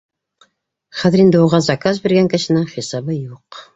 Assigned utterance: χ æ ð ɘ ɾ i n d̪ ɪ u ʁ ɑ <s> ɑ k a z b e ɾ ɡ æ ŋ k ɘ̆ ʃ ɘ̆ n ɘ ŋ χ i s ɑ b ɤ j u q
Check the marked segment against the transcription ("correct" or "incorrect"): incorrect